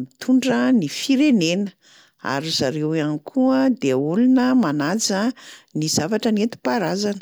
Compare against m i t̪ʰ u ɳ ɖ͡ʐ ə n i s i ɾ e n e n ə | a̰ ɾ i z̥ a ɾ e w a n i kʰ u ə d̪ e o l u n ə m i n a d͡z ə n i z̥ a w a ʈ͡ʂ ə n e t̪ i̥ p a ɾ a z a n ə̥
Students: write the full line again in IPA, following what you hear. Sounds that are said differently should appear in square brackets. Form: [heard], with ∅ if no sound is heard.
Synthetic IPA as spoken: m i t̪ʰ u ɳ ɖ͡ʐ ə n i [f] i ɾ e n e n ə | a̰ ɾ i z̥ a ɾ e w a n i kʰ u ə d̪ e [u] l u n ə m [a] n a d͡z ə n i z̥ a [v] a ʈ͡ʂ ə n e t̪ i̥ p a ɾ a z a n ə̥